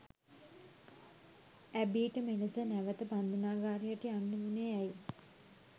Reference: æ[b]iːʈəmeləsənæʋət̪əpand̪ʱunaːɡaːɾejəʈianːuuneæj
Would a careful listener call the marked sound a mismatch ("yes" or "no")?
no